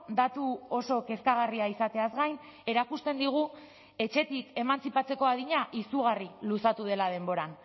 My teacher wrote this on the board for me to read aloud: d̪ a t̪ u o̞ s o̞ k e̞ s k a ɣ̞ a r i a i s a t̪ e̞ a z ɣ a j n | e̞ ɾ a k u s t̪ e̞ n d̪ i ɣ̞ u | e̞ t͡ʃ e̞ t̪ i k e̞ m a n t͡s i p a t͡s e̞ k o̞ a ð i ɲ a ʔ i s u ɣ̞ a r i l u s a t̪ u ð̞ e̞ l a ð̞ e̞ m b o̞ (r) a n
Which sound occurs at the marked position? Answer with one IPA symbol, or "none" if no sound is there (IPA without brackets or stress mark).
ɾ